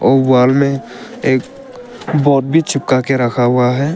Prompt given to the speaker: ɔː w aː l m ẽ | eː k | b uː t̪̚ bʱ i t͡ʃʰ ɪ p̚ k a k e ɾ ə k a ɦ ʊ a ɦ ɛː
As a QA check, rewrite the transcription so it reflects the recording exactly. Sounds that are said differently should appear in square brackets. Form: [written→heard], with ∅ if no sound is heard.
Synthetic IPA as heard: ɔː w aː l m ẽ | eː k | b [uː→ɔː] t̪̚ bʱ i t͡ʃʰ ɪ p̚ k a k e ɾ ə [k→kʰ] a ɦ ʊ a ɦ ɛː